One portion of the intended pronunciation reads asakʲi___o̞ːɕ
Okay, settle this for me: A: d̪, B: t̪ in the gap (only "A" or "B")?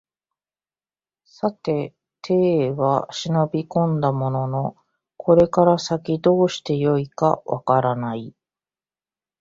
A